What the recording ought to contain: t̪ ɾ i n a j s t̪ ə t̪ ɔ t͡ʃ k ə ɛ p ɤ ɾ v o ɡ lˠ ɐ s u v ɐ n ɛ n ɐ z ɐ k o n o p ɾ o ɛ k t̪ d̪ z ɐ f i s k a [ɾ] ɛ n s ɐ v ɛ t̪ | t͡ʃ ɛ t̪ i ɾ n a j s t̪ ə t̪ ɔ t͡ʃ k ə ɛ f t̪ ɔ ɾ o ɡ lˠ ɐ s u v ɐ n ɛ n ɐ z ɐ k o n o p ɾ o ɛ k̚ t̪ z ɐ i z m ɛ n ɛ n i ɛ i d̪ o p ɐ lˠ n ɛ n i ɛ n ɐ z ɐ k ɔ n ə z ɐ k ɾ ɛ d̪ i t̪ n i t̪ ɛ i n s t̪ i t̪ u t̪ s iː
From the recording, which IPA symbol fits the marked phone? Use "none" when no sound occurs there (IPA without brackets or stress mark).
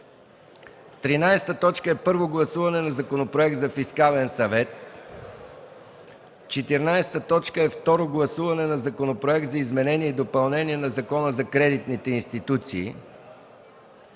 l